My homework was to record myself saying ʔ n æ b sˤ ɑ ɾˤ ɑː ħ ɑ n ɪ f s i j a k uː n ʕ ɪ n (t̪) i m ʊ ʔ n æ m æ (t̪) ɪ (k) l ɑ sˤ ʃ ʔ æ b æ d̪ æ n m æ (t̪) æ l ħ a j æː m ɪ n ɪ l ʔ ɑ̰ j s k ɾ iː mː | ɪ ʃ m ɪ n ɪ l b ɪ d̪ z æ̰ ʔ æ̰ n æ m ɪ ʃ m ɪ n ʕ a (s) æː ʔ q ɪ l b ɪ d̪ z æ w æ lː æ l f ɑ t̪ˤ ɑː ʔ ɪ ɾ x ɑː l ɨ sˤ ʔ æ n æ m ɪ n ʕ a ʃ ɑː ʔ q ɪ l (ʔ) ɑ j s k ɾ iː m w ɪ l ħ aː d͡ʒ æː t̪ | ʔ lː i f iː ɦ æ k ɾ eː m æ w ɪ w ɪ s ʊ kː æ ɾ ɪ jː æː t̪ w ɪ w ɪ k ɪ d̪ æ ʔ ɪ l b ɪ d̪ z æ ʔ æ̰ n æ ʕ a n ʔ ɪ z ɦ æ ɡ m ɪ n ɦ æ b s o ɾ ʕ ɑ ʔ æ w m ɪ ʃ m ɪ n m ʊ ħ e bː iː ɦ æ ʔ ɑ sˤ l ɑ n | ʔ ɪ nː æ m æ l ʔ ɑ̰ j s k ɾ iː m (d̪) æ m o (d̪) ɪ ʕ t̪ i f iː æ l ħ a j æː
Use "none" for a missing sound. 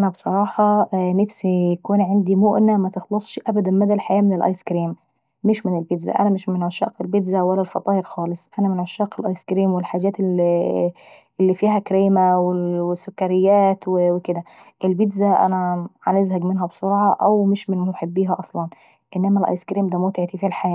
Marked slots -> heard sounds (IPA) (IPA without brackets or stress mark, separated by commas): d̪, t̪, x, d̪, ʃ, ʔ, d̪, t̪